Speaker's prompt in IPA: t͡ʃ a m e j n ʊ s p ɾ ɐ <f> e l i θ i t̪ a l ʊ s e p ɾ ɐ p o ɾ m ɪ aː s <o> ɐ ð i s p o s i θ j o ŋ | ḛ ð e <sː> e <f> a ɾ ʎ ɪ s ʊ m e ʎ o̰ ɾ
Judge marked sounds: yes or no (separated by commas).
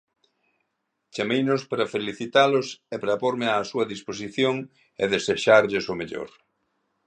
yes, no, no, no